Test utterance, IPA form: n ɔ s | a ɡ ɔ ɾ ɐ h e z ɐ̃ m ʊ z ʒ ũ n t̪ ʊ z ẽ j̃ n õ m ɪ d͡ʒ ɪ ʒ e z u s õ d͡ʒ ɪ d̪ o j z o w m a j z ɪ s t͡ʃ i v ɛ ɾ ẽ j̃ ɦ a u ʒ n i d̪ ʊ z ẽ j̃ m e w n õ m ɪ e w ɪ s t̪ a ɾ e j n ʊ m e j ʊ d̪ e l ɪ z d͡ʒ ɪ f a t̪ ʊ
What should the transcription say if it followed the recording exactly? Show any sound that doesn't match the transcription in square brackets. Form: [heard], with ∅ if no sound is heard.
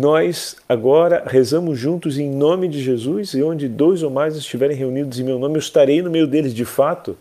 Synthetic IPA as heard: n ɔ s | a ɡ ɔ ɾ ɐ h e z ɐ̃ m ʊ z ʒ ũ n t̪ ʊ z ẽ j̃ n õ m ɪ d͡ʒ ɪ ʒ e z u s õ d͡ʒ ɪ d̪ o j z o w m a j z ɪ s t͡ʃ i v ɛ ɾ ẽ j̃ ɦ [e] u [∅] n i d̪ ʊ z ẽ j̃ m e w n õ m ɪ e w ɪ s t̪ a ɾ e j n ʊ m e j ʊ d̪ e l ɪ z d͡ʒ ɪ f a t̪ ʊ